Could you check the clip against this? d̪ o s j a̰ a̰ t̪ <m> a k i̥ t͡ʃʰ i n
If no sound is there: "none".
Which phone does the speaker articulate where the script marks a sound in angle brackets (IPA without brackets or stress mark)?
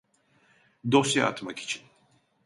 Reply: m